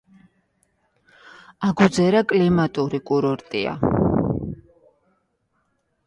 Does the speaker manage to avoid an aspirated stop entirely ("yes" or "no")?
yes